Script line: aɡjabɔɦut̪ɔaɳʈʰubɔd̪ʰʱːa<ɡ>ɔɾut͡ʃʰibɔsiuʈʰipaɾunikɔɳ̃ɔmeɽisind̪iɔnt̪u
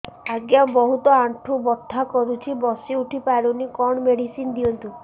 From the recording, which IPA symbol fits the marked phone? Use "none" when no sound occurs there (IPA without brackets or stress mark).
k